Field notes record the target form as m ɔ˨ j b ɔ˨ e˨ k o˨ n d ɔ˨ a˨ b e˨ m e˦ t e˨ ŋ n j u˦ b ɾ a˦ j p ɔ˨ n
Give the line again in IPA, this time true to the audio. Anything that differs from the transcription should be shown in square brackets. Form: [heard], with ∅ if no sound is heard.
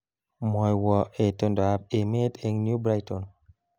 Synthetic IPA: m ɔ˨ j [w] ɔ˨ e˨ [t] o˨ n d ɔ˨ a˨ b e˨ m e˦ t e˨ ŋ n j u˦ b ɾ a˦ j [t] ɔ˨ n